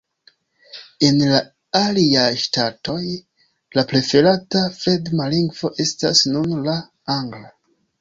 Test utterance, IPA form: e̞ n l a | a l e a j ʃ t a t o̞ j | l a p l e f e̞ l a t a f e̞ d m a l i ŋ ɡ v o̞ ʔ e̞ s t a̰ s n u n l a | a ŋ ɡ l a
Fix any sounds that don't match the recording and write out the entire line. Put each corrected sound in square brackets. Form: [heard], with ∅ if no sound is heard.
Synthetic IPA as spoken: e̞ n l a | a l [i] a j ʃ t a t o̞ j | l a p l e f e̞ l a t a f e̞ d m a l i ŋ ɡ v o̞ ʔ e̞ s t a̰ s n u n l a | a ŋ ɡ l a